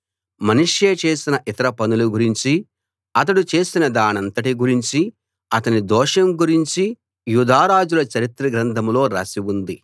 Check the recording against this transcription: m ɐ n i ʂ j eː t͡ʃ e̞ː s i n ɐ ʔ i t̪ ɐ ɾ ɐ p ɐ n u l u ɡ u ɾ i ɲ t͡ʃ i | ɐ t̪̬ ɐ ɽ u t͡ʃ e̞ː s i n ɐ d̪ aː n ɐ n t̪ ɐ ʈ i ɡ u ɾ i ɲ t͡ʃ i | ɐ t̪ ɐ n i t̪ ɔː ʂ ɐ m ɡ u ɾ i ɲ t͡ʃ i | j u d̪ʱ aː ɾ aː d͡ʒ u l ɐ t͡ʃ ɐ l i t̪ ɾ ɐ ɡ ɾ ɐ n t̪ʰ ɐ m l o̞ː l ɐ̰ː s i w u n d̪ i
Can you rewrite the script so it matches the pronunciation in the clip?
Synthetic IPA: m ɐ n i ʂ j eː t͡ʃ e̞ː s i n ɐ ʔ i t̪ ɐ ɾ ɐ p ɐ n u l u ɡ u ɾ i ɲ t͡ʃ i | ɐ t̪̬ ɐ ɽ u t͡ʃ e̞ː s i n ɐ d̪ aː n ɐ n t̪ ɐ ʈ i ɡ u ɾ i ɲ t͡ʃ i | ɐ t̪ ɐ n i d̪ ɔː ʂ ɐ m ɡ u ɾ i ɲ t͡ʃ i | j u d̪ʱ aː ɾ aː d͡ʒ u l ɐ t͡ʃ ɐ ɾ i t̪ ɾ ɐ ɡ ɾ ɐ n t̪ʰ ɐ m l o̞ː ɾ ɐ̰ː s i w u n d̪ i